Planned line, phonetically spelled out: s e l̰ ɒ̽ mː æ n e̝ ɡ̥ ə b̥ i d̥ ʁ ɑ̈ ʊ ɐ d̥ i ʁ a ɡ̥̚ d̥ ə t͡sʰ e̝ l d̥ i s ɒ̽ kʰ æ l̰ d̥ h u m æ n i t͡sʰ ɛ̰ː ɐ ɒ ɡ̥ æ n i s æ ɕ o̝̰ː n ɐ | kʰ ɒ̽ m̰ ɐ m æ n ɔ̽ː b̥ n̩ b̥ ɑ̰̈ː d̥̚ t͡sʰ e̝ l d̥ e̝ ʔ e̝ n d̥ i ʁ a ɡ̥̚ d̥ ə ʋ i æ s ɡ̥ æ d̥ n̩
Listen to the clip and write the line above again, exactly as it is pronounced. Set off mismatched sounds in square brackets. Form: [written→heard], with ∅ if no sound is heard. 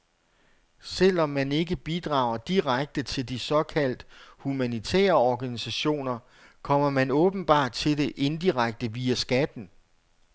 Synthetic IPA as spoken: s e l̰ ɒ̽ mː æ n e̝ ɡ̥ ə b̥ i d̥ ʁ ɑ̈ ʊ ɐ d̥ i ʁ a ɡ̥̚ d̥ ə t͡sʰ e̝ l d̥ i s ɒ̽ kʰ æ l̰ d̥ h u m æ n i t͡sʰ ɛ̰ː ɐ ɒ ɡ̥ æ n i s æ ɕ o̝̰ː n ɐ | kʰ ɒ̽ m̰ ɐ m æ n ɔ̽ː b̥ n̩ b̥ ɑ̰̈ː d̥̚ t͡sʰ e̝ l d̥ e̝ ʔ e̝ n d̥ i ʁ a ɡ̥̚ d̥ ə ʋ i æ s ɡ̥ æ d̥ n̩